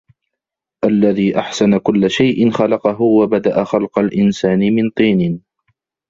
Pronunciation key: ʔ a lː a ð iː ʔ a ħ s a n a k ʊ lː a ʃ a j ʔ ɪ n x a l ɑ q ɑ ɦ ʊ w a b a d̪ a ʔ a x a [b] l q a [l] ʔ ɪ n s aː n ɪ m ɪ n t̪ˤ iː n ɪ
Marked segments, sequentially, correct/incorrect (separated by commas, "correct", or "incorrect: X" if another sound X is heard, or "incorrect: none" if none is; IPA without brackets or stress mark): incorrect: none, correct